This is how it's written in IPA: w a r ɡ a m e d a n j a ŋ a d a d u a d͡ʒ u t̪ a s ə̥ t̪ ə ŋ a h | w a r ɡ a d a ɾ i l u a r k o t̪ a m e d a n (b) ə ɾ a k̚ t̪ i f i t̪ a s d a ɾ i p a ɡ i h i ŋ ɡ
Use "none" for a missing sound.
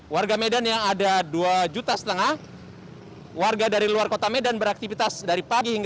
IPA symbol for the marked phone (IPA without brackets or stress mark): b